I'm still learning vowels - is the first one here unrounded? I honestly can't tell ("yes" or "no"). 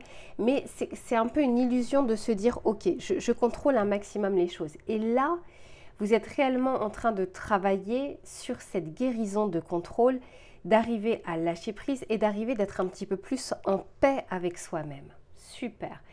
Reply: yes